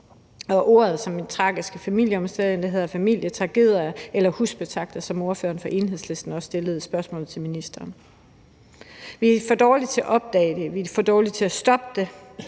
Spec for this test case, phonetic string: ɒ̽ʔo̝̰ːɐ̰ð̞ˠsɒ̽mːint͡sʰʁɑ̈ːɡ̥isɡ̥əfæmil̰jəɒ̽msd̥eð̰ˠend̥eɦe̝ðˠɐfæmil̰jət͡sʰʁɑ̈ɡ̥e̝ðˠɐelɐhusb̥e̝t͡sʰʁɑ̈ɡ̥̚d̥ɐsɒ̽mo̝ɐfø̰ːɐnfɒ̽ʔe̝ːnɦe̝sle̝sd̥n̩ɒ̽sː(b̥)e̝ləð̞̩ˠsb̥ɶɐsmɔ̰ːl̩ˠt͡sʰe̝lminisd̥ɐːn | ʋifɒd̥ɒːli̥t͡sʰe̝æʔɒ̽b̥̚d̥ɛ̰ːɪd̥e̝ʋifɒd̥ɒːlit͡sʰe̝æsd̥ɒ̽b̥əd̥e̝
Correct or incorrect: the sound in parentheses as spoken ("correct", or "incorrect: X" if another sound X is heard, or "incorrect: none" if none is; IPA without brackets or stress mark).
incorrect: d̥